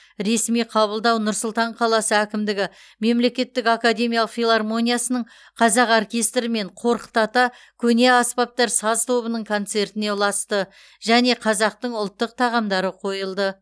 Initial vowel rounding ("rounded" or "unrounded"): unrounded